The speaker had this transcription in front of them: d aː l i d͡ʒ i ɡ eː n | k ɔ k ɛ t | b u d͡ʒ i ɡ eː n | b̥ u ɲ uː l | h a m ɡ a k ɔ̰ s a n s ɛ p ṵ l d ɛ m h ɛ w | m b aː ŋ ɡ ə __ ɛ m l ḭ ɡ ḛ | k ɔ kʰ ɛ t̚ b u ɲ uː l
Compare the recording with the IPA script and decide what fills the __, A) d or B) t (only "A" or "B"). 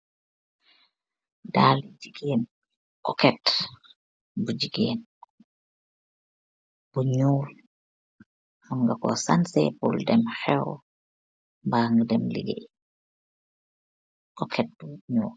A